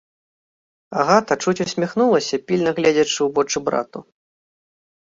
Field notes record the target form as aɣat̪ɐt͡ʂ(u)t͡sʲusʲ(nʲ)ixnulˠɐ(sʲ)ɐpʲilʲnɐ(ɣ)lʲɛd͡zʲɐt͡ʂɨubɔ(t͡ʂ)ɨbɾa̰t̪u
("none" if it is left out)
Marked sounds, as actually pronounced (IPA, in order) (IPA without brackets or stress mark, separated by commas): u, mʲ, sʲ, ɣ, t͡ʂ